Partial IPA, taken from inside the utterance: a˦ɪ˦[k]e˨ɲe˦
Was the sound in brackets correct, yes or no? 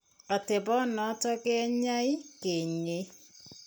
yes